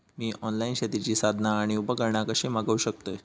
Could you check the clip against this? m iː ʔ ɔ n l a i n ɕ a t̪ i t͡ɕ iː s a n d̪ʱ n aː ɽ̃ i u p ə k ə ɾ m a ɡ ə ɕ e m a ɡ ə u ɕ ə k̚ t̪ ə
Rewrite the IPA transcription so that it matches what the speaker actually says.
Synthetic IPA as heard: m iː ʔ ɔ n l a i n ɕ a t̪ i t͡ɕ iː s a d̪ʱ n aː ɽ̃ i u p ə k ə ɾ ɳ a k ə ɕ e m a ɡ ə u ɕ ə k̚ t̪ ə